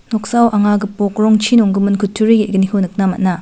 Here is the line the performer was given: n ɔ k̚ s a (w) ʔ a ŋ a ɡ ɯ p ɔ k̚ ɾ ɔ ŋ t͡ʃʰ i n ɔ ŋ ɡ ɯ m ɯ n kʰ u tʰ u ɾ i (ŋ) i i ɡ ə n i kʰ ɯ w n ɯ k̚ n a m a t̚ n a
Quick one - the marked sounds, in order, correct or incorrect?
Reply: correct, incorrect: ɡ

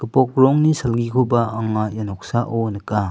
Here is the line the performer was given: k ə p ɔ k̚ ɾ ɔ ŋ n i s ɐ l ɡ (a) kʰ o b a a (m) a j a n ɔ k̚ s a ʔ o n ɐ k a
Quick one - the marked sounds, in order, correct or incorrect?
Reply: incorrect: i, incorrect: ŋ

